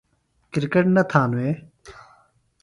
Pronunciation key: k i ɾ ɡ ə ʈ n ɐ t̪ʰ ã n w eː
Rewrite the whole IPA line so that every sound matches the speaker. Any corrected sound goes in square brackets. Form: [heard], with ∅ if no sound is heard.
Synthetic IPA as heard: k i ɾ [k] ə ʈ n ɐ t̪ʰ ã n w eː